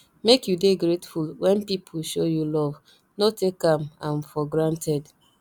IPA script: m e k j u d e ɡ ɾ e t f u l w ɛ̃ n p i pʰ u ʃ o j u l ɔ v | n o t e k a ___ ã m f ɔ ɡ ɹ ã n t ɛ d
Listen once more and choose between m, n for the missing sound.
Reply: m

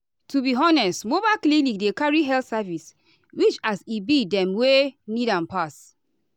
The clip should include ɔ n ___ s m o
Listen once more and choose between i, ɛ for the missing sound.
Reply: ɛ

